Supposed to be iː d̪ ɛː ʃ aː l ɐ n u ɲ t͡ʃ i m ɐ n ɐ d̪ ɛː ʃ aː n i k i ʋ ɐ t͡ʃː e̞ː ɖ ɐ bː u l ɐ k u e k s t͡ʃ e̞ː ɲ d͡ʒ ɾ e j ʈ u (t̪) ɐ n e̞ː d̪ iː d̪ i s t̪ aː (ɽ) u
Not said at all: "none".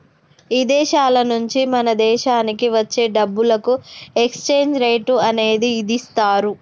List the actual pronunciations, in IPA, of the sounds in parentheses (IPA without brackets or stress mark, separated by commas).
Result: none, ɾ